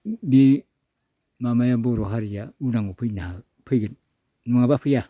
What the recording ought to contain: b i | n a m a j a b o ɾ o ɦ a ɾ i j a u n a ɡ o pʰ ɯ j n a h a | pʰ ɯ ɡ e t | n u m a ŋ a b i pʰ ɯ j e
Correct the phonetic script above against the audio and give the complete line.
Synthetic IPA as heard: b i | m a m a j a b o ɾ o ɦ a ɾ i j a u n a ŋ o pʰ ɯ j n a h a | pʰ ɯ ɡ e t | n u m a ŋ a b a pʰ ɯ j a